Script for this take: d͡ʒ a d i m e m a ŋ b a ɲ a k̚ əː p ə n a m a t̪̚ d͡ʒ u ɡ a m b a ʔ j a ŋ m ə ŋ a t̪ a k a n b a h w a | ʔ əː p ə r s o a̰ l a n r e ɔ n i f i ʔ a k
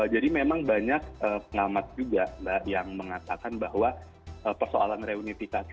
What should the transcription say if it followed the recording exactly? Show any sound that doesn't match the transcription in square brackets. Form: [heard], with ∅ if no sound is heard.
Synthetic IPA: d͡ʒ a d i m e m a ŋ b a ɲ a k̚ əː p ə [ŋ] a m a t̪̚ d͡ʒ u ɡ a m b a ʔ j a ŋ m ə ŋ a t̪ a k a n b a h w a | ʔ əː p ə r s o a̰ l a n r e [u] n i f i [k] a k